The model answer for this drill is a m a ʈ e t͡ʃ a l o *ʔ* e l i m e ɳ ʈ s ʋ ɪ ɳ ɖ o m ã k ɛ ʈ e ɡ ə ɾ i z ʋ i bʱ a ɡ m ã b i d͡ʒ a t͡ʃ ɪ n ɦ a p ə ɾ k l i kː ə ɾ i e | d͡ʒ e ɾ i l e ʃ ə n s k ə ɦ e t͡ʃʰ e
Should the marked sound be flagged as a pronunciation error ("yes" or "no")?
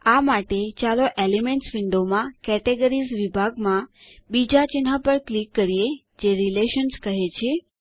no